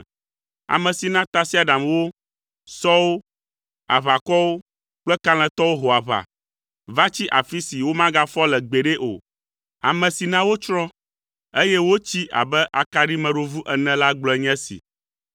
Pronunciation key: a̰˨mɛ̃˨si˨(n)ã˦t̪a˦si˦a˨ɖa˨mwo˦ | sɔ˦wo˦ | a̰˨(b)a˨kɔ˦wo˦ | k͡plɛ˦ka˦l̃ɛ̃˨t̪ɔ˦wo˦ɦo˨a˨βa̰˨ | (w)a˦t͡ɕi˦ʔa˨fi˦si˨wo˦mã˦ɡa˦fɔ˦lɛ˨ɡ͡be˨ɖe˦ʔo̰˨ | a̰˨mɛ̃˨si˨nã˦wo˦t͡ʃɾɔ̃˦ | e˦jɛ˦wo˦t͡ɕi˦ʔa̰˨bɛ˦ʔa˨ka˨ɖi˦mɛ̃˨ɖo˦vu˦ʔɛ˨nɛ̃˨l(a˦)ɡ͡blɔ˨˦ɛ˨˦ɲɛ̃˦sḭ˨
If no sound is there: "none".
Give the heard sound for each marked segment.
n, β, v, a˦

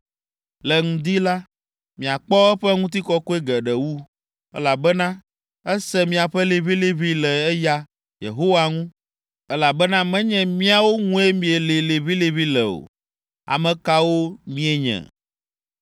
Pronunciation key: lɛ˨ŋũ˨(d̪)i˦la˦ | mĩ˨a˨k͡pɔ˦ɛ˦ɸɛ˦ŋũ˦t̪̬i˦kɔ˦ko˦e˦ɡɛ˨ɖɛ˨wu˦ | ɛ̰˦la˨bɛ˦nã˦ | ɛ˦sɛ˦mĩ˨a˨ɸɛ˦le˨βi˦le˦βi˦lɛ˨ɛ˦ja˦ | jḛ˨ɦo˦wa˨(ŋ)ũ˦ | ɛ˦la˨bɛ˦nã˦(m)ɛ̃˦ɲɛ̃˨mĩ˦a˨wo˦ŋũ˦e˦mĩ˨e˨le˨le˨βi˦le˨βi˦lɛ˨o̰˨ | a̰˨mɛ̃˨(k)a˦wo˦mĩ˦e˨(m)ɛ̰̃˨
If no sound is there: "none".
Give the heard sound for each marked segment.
d̪, ŋ, m, k, ɲ

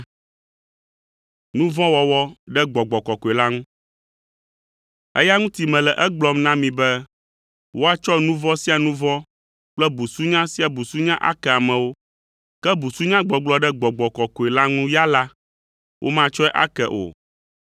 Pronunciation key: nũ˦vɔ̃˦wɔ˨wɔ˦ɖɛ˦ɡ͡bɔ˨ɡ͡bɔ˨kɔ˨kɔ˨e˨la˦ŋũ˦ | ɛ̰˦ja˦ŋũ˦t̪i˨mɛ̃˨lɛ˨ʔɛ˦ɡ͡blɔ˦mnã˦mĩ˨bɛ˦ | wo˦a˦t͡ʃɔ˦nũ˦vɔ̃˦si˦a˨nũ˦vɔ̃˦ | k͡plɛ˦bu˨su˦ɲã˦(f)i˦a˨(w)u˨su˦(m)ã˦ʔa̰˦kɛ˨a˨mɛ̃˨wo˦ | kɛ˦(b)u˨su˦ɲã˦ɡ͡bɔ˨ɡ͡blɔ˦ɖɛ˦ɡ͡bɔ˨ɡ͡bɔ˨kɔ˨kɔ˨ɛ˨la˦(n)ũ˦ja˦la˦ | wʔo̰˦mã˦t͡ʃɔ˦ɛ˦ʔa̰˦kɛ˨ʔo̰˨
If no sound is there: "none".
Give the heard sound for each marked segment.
s, b, ɲ, b, ŋ

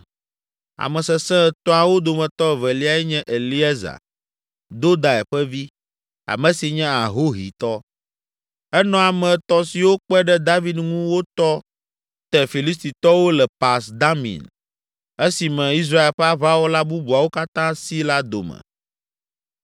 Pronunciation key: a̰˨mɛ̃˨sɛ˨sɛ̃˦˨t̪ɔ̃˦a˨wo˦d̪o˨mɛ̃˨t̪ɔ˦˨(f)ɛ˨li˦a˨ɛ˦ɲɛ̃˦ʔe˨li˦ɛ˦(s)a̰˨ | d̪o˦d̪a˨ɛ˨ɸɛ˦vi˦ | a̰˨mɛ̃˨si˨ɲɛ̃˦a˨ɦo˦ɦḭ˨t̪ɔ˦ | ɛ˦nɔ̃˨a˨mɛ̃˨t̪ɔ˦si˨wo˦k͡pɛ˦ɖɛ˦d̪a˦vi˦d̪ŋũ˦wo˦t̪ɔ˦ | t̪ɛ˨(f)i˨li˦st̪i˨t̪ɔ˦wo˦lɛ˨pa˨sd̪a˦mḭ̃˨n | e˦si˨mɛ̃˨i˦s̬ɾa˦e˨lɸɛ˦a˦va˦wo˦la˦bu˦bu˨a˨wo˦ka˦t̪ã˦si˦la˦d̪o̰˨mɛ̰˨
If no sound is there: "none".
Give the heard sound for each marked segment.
v, z, f

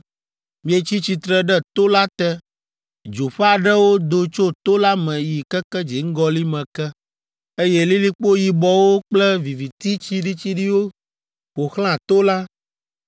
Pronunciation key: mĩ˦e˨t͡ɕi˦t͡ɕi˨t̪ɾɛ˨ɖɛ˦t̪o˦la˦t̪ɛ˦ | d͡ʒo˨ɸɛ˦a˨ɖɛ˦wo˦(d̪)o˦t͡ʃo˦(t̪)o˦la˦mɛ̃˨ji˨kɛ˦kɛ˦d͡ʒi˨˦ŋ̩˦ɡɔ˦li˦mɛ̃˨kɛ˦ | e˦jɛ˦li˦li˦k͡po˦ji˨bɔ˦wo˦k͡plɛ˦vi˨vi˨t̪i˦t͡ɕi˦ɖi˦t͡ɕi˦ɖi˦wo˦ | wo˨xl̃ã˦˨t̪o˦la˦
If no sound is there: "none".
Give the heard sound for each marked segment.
d̪, t̪

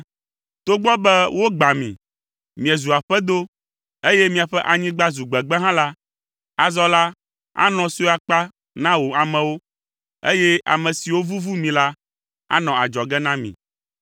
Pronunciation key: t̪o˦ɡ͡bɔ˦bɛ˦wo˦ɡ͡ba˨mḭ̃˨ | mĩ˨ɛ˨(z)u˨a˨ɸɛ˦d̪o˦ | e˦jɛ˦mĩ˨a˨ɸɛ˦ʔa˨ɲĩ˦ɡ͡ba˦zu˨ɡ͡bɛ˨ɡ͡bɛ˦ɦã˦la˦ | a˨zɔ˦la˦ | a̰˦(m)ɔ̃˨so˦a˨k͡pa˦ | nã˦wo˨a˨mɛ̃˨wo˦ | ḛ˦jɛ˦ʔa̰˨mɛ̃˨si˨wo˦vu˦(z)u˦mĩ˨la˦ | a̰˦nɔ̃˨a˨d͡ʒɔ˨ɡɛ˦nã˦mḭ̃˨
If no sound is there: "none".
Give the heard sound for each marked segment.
z, n, v

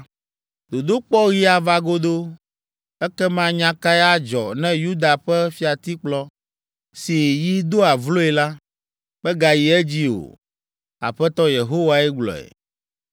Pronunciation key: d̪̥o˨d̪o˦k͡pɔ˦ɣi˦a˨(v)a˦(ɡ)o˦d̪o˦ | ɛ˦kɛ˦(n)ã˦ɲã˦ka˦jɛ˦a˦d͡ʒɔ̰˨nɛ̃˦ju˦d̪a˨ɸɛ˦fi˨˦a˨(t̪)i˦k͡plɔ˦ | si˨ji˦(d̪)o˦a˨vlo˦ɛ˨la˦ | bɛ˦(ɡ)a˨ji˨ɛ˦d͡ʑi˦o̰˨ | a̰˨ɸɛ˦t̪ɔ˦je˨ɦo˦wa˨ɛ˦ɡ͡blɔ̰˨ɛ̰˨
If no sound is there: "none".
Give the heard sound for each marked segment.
v, ɡ, m, t̪, d̪, ɡ

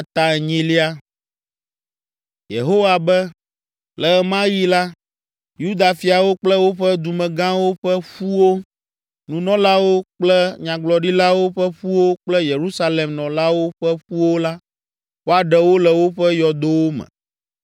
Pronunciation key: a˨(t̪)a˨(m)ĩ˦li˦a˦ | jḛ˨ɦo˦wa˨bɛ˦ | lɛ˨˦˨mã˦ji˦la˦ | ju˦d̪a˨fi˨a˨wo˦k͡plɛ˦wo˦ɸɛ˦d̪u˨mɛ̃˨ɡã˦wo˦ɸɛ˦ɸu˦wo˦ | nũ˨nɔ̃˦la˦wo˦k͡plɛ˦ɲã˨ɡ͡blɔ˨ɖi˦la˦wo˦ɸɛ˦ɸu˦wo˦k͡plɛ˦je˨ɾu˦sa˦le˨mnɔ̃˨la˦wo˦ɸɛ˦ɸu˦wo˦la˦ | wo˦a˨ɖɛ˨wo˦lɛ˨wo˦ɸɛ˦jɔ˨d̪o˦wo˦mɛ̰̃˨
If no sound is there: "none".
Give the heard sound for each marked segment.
t̪, ɲ

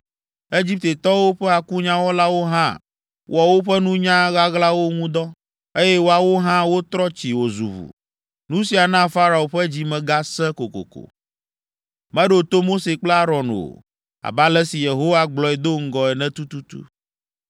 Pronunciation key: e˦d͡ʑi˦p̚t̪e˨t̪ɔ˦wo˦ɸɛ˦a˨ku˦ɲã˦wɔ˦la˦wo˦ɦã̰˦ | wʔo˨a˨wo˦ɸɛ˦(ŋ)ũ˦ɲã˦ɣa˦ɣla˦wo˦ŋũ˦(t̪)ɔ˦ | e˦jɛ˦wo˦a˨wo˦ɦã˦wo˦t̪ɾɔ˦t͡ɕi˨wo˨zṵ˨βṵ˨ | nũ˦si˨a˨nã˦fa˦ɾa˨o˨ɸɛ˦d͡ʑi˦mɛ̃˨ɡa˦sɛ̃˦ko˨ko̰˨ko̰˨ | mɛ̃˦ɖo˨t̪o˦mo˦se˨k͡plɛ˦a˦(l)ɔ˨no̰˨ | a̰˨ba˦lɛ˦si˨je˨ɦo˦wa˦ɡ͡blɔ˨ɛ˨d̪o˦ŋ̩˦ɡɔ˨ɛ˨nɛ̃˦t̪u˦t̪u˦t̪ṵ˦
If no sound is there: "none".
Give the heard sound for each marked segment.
n, d̪, ɾ

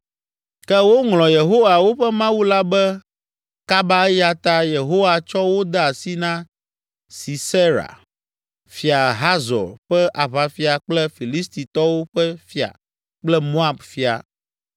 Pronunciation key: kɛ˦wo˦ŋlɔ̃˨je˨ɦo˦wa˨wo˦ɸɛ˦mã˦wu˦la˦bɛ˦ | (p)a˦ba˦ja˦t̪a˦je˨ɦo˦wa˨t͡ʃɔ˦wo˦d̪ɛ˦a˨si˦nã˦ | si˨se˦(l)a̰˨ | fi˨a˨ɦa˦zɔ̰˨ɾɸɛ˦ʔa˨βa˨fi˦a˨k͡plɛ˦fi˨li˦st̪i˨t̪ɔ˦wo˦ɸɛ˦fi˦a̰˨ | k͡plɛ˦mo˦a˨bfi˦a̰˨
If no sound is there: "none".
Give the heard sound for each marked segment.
k, ɾ

